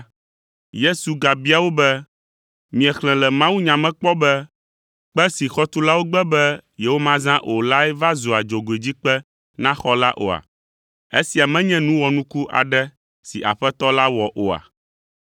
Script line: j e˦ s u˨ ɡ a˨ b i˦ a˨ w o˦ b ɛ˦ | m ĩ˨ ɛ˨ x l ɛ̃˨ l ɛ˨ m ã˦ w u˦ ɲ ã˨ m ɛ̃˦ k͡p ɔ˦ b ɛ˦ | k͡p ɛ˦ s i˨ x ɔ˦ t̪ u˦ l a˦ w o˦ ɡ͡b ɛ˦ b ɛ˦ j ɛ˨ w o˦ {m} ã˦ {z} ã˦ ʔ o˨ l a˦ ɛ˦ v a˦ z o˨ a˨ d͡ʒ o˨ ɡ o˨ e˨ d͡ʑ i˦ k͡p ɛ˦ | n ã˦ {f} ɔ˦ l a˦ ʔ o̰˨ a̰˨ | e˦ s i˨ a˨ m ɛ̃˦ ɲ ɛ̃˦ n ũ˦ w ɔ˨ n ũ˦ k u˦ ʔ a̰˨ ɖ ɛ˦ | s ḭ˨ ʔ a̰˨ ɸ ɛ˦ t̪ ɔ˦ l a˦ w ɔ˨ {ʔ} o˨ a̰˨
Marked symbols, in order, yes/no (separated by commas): yes, yes, no, yes